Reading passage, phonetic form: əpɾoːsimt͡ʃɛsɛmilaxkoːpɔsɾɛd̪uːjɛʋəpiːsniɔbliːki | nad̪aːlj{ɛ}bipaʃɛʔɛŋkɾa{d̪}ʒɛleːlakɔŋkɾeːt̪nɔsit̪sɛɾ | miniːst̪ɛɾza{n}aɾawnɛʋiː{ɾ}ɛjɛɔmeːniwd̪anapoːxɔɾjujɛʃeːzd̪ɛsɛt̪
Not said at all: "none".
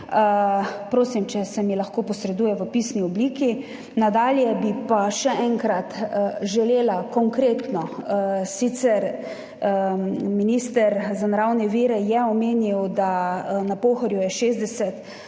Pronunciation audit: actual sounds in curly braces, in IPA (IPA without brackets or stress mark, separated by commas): ɛ, t̪, n, ɾ